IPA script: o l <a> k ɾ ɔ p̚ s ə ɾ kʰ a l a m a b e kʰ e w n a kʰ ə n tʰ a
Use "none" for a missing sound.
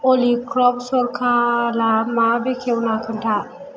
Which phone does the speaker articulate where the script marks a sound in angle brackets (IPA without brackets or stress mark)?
i